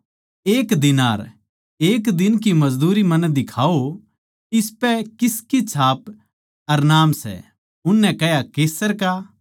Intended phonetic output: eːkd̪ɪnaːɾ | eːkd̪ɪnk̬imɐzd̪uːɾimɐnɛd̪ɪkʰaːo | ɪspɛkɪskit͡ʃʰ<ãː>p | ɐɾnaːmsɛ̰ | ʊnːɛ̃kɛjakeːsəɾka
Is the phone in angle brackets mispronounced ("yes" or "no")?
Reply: yes